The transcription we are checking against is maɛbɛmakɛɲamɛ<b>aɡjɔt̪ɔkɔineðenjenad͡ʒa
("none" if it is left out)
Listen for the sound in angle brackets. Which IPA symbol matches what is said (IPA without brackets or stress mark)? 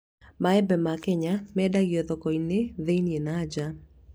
d